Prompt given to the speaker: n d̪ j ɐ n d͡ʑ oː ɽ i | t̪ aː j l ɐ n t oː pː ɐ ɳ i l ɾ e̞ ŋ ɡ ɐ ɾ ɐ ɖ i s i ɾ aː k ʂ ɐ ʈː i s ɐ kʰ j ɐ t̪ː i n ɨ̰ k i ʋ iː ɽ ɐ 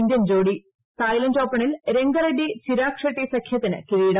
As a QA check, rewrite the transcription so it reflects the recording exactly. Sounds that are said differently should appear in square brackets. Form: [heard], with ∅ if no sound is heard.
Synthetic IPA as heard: n d̪ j ɐ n d͡ʑ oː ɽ i | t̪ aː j l ɐ n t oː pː ɐ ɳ i l ɾ e̞ ŋ ɡ ɐ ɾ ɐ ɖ i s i ɾ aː k ʂ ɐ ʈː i s ɐ kʰ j ɐ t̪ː i n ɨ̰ k i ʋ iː ɽ ɐ